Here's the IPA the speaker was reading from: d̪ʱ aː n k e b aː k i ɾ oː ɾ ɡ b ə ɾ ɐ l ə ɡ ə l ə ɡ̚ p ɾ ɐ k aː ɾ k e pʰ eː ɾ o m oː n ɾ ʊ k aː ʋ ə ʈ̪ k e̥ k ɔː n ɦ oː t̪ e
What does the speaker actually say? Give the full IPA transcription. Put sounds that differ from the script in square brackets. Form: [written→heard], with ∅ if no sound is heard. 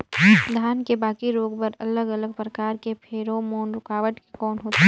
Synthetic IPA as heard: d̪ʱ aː n k e b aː k i ɾ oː [ɾ→∅] ɡ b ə ɾ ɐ l ə ɡ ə l ə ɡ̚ p ɾ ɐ k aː ɾ k e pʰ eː ɾ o m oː n ɾ ʊ k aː ʋ ə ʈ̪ k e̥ k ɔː n ɦ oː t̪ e